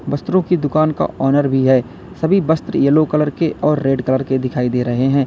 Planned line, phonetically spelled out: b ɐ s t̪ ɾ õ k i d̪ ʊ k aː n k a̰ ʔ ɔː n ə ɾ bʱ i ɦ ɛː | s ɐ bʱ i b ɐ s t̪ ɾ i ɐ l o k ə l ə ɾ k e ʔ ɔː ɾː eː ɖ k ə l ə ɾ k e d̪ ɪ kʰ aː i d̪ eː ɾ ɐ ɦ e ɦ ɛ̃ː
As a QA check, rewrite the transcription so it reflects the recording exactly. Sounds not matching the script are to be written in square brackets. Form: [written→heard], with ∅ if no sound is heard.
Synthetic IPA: b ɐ s t̪ ɾ õ k i d̪ ʊ k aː n k a̰ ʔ ɔː n ə ɾ bʱ i ɦ ɛː | s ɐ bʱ i b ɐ s t̪ ɾ [i→j] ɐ l o k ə l ə ɾ k e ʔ ɔː ɾː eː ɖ k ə l ə ɾ k e d̪ ɪ kʰ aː i d̪ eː ɾ ɐ ɦ e ɦ ɛ̃ː

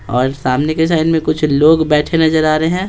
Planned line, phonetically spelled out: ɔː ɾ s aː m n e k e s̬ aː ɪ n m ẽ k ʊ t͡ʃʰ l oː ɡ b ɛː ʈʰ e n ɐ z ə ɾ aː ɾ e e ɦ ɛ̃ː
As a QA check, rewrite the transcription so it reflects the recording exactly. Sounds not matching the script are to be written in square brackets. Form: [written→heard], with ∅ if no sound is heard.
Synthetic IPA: ɔː ɾ s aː m n e k e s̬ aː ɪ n m ẽ k ʊ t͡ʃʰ l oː ɡ b ɛː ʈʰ e n ɐ z ə ɾ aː ɾ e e ɦ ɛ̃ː

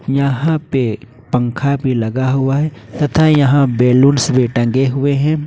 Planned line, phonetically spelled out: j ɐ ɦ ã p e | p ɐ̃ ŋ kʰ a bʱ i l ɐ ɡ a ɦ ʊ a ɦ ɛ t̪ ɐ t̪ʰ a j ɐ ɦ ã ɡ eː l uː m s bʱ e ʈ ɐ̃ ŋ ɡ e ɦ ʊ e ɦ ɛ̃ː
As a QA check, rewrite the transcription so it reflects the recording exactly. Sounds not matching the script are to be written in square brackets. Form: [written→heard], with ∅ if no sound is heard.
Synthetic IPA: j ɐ ɦ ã p e | p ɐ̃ ŋ kʰ a bʱ i l ɐ ɡ a ɦ ʊ a ɦ ɛ t̪ ɐ t̪ʰ a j ɐ ɦ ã [ɡ→b] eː l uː [m→n] s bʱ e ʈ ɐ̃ ŋ ɡ e ɦ ʊ e ɦ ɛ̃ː

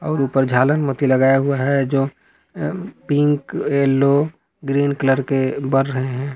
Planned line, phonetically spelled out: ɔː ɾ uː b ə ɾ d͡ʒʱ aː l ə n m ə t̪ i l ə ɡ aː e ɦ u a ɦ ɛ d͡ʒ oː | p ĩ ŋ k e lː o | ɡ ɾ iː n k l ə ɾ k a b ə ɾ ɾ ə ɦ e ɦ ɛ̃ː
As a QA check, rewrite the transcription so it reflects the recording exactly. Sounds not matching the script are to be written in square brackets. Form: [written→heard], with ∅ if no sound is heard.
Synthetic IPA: ɔː ɾ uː [b→p] ə ɾ d͡ʒʱ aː l ə n m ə t̪ i l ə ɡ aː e ɦ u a ɦ ɛ d͡ʒ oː | p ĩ ŋ k e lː o | ɡ ɾ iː n k l ə ɾ k [a→e] b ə ɾ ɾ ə ɦ e ɦ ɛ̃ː

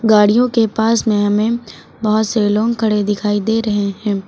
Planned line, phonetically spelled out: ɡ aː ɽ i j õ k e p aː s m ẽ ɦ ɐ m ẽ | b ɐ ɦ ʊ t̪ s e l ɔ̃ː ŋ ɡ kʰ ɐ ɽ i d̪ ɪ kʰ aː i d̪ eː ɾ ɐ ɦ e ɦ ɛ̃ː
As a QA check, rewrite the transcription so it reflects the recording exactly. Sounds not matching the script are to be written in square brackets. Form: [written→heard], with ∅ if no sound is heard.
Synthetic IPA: ɡ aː ɽ i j õ k e p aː s m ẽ ɦ ɐ m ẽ | b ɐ ɦ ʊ t̪ s e l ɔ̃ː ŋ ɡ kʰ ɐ ɽ [i→e] d̪ ɪ kʰ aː i d̪ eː ɾ ɐ ɦ e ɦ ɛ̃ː

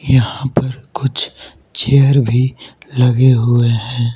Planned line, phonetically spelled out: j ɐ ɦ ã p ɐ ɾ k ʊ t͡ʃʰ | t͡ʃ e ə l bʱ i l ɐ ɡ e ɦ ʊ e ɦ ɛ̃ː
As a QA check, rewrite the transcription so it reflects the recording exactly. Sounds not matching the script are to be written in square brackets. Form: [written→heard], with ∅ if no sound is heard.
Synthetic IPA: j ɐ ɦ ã p ɐ ɾ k ʊ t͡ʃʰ | t͡ʃ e ə [l→ɾ] bʱ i l ɐ ɡ e ɦ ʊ e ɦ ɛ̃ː

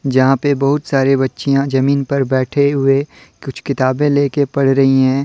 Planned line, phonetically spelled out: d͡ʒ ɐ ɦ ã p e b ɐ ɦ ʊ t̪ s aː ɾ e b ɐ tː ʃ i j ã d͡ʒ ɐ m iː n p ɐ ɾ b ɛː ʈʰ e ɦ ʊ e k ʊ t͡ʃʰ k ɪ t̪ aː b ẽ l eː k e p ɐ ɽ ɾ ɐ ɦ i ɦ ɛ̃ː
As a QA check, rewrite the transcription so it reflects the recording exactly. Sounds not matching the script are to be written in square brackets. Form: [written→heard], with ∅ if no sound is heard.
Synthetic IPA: d͡ʒ ɐ ɦ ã p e b ɐ ɦ ʊ t̪ s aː ɾ e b ɐ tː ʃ i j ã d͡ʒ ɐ m iː n p ɐ ɾ b ɛː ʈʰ e ɦ ʊ e k ʊ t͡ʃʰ k ɪ t̪ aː b ẽ l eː k e p ɐ ɽ ɾ ɐ ɦ i ɦ ɛ̃ː

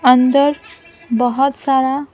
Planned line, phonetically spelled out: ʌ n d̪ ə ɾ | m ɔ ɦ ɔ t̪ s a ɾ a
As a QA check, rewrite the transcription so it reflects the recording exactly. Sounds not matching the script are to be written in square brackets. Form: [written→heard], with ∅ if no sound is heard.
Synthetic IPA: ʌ n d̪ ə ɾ | [m→b] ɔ ɦ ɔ t̪ s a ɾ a

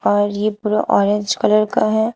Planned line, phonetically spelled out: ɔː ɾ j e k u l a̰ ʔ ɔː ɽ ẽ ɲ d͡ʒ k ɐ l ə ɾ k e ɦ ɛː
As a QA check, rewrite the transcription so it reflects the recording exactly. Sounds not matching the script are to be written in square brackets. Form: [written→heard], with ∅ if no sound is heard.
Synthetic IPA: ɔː ɾ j e [k→p] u [l→ɾ] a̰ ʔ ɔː [ɽ→ɾ] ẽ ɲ d͡ʒ k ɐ l ə ɾ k [e→a] ɦ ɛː

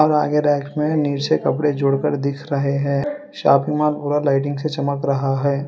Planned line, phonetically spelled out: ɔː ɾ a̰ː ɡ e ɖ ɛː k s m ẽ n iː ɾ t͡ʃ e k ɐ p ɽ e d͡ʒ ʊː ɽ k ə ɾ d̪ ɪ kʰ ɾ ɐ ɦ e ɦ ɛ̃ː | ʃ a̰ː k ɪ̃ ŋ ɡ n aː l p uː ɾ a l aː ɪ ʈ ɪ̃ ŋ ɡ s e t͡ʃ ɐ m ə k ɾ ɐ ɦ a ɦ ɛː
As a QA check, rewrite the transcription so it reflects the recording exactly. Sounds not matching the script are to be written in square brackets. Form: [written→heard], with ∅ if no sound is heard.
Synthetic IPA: ɔː ɾ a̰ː ɡ e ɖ ɛː k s m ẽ n iː ɾ t͡ʃ e k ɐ p ɽ e d͡ʒ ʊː ɽ k ə ɾ d̪ ɪ kʰ ɾ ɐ ɦ e ɦ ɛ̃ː | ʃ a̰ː [k→p] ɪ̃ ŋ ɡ [n→m] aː l p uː ɾ a l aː ɪ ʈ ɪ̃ ŋ ɡ s e t͡ʃ ɐ m ə k ɾ ɐ ɦ a ɦ ɛː

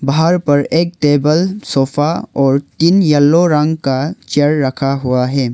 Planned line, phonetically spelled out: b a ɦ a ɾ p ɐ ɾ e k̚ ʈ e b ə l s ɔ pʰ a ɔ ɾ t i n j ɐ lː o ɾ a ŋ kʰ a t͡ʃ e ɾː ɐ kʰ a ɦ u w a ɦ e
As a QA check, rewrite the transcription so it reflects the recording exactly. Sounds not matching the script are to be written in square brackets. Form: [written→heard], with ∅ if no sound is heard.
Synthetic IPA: b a ɦ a ɾ p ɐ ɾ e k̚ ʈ e b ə l s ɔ pʰ a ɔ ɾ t i n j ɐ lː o ɾ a ŋ [kʰ→k] a t͡ʃ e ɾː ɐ kʰ a ɦ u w a ɦ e

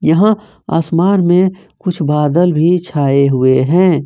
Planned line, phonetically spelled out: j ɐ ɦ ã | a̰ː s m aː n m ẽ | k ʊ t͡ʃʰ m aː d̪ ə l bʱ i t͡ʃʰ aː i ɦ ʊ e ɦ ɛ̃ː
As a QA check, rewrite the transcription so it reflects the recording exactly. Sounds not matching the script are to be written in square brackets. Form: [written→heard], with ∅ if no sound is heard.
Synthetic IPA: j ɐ ɦ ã | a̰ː s m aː n m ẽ | k ʊ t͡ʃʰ [m→b] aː d̪ ə l bʱ i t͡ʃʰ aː [i→e] ɦ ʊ e ɦ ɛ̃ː

